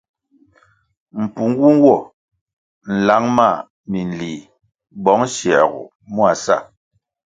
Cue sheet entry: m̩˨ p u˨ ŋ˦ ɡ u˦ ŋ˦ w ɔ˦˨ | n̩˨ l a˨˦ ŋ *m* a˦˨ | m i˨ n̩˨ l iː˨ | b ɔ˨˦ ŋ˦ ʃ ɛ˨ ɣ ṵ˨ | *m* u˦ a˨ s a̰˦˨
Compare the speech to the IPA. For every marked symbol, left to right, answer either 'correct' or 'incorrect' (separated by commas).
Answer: correct, correct